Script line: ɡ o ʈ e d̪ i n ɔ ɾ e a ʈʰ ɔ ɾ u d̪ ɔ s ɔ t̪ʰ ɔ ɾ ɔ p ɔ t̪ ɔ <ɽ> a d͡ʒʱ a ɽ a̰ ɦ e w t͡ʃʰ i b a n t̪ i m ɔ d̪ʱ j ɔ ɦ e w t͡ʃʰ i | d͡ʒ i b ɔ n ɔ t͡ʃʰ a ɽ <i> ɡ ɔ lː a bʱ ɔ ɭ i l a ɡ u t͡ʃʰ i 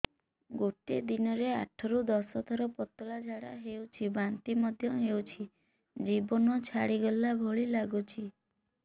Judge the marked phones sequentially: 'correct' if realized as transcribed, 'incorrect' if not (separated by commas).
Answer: incorrect, correct